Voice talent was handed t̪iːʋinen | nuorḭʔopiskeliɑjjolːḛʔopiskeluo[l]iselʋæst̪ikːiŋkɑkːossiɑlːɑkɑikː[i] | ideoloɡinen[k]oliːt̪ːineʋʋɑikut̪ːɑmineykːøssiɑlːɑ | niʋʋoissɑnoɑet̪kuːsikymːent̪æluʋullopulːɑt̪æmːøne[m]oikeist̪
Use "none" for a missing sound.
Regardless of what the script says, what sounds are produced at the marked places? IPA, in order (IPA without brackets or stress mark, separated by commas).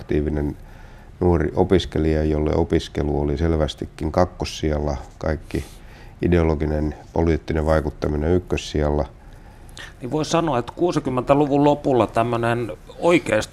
l, i, p, n